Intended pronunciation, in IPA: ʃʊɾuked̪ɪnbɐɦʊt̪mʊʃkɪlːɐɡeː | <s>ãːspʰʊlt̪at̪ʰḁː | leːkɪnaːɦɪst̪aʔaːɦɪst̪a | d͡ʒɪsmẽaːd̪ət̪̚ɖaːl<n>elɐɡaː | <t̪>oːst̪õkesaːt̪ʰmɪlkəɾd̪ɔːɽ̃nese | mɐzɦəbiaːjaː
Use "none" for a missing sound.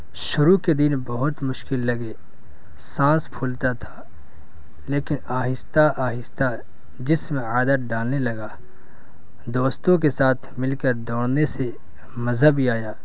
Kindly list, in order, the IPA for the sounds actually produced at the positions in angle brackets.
s, n, d̪

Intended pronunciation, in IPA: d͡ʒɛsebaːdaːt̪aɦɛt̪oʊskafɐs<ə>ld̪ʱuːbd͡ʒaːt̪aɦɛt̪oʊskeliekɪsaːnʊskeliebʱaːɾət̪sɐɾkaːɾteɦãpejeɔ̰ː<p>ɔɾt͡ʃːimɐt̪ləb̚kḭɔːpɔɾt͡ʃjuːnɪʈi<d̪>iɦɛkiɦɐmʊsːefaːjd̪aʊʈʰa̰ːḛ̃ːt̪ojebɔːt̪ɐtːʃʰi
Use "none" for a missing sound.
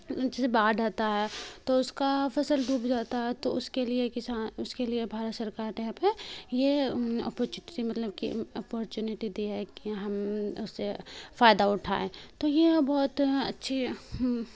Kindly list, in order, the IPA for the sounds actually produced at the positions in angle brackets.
ə, p, d̪

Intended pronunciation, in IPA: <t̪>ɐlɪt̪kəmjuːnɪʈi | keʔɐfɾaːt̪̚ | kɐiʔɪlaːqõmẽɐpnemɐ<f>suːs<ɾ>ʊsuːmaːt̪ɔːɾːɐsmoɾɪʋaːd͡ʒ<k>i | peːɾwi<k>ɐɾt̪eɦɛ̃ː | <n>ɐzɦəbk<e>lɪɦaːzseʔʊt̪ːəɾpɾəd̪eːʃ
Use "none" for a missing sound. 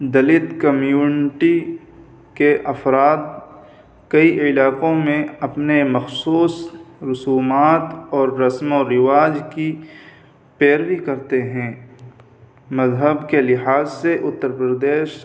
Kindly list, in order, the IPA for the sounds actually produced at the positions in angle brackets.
d̪, x, ɾ, k, k, m, e

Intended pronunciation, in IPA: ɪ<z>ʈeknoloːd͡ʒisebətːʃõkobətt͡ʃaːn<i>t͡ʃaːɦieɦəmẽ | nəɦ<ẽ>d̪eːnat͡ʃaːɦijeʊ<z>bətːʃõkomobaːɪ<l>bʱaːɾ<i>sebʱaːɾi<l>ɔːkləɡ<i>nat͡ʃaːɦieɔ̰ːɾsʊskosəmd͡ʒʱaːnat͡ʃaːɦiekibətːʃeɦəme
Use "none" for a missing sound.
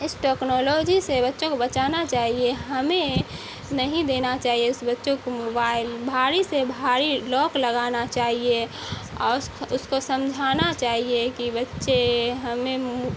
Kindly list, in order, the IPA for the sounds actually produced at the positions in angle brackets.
s, a, ĩ, s, l, i, l, a

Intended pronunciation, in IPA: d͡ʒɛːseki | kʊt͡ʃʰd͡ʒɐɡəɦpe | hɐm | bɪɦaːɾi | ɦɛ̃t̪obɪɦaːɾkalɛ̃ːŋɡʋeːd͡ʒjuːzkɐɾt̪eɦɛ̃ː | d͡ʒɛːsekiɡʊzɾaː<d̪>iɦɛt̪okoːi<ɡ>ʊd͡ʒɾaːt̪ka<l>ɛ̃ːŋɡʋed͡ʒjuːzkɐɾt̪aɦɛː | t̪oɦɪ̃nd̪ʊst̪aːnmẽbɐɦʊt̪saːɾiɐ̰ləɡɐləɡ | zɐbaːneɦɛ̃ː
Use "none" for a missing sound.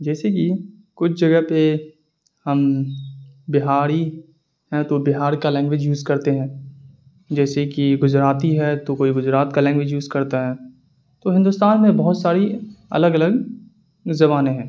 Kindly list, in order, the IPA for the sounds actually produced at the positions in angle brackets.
t̪, ɡ, l

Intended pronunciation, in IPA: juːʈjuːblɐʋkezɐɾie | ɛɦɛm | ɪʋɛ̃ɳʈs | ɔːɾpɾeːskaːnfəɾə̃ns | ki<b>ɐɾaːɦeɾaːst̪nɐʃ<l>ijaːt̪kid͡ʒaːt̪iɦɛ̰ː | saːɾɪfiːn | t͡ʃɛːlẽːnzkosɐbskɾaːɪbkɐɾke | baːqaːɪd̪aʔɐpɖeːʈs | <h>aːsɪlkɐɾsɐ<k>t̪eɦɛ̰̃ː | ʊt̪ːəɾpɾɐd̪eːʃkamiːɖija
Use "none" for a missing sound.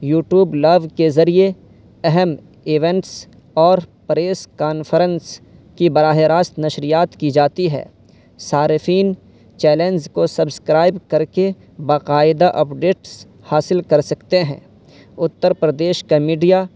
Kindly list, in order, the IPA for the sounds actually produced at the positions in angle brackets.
b, ɾ, h, k

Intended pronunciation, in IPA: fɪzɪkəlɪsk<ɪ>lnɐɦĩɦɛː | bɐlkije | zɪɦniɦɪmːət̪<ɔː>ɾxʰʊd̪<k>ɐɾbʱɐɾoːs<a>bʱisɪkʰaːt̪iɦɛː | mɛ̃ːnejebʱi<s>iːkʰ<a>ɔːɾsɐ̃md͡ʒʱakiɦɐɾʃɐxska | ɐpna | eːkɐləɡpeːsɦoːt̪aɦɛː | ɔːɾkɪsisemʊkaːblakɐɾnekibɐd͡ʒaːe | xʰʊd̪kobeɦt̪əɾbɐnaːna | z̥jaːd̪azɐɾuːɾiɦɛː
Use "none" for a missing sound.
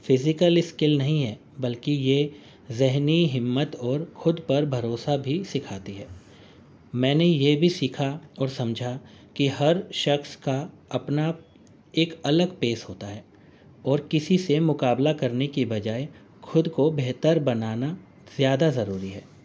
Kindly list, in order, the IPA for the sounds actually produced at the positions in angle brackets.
ɪ, ɔː, p, a, s, a

